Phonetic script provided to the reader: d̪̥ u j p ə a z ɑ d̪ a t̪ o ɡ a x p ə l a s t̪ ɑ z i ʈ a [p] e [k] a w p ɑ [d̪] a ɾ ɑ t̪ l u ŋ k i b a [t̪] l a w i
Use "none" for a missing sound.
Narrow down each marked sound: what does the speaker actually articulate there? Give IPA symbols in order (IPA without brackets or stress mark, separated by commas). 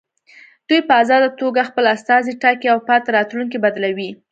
k, none, t̪, d̪